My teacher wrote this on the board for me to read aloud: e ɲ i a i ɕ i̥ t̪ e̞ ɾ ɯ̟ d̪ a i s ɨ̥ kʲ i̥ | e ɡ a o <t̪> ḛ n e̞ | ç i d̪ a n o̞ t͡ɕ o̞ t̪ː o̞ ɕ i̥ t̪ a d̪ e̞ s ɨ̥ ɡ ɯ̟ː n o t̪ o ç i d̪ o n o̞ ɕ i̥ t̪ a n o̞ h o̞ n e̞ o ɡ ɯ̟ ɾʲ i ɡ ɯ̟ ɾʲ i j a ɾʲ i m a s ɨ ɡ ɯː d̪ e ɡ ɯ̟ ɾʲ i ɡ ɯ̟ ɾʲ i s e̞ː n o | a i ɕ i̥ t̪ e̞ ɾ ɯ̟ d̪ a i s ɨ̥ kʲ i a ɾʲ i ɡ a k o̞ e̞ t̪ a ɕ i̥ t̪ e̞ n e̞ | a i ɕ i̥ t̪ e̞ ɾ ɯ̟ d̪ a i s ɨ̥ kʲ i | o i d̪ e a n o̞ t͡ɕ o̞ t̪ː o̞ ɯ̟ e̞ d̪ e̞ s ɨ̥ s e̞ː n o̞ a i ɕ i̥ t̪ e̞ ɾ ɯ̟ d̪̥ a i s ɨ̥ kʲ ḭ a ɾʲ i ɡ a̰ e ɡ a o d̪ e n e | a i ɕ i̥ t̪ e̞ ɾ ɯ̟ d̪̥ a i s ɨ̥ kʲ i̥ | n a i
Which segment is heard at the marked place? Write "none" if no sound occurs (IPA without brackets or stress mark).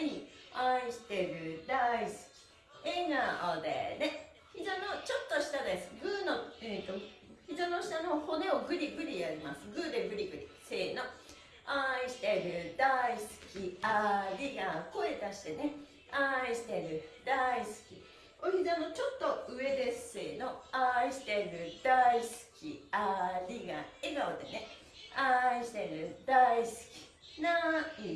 d̪